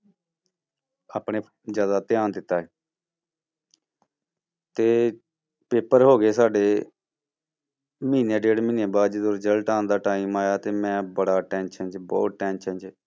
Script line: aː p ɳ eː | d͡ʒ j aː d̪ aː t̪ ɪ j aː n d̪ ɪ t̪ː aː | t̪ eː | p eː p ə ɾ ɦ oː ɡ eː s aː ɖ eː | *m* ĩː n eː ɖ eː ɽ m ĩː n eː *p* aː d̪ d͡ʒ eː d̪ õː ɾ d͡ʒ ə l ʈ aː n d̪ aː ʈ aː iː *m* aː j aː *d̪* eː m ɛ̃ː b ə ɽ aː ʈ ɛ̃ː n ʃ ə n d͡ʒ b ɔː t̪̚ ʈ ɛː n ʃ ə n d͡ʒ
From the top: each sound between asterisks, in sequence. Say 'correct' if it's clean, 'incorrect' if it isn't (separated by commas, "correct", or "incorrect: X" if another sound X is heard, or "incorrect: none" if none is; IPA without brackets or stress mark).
correct, incorrect: b, correct, incorrect: t̪